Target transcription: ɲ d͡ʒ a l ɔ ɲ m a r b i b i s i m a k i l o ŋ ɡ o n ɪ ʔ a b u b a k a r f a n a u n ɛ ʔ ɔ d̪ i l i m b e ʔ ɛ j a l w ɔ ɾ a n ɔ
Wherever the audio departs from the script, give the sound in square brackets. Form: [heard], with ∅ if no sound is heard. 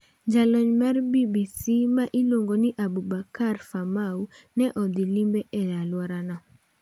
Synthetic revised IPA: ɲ d͡ʒ a l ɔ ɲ m a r b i b i s i m a [ʔ] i l o ŋ ɡ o n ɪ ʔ a b u b a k a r f a [m] a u n ɛ ʔ ɔ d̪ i l i m b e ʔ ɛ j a l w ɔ ɾ a n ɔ